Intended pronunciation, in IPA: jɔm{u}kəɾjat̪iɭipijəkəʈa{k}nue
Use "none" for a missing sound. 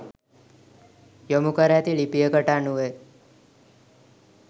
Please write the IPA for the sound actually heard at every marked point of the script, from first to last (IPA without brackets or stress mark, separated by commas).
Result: u, none